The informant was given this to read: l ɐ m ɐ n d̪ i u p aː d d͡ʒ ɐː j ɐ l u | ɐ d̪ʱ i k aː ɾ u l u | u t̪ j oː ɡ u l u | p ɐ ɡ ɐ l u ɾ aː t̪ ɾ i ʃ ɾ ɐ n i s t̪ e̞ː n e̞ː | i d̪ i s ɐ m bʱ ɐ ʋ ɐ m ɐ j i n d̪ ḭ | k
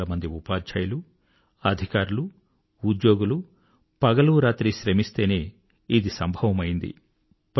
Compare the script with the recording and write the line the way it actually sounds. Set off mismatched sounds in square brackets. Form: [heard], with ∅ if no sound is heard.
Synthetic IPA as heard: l ɐ m ɐ n d̪ i u p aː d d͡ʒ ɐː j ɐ l u | ɐ d̪ʱ i k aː ɾ u l u | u [d̪] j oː ɡ u l u | p ɐ ɡ ɐ l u ɾ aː t̪ ɾ i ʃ ɾ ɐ [m] i s t̪ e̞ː n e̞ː | i d̪ i s ɐ m bʱ ɐ ʋ ɐ m ɐ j i n d̪ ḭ | [p]